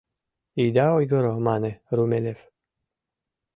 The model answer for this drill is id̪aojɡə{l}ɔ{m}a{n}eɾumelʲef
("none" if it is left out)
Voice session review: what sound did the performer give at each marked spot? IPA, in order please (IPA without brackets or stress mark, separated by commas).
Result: ɾ, m, n